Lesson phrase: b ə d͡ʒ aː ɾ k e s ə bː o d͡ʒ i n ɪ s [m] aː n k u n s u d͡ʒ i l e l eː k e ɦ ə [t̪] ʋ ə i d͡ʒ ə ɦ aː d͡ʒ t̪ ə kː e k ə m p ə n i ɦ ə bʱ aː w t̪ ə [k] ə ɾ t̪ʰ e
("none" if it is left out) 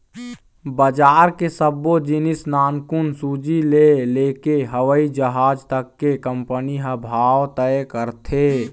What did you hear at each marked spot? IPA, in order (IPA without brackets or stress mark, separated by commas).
n, none, k